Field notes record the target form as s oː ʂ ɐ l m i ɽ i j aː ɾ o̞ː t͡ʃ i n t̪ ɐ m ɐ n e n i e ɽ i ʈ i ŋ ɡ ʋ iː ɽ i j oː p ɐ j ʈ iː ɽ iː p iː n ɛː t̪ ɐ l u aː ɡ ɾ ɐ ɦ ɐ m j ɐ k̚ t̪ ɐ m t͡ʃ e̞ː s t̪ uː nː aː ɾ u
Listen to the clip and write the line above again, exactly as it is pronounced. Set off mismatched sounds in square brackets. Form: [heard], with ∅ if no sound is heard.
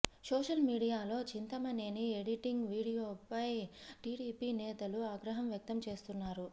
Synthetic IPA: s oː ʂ ɐ l m [iː] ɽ i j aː [l] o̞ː t͡ʃ i n t̪ ɐ m ɐ n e n i e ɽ i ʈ i ŋ ɡ ʋ iː ɽ i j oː p ɐ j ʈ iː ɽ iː p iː n ɛː t̪ ɐ l u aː ɡ ɾ ɐ ɦ ɐ m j ɐ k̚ t̪ ɐ m t͡ʃ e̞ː s t̪ [u] nː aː ɾ u